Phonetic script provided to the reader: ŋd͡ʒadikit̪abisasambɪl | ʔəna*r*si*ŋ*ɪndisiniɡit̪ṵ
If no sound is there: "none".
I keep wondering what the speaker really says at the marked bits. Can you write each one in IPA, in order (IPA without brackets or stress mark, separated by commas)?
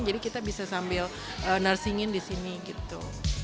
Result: r, ŋ